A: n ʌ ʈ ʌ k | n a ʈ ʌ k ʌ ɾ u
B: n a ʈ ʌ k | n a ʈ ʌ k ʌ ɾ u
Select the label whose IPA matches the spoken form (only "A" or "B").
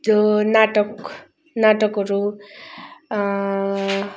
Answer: B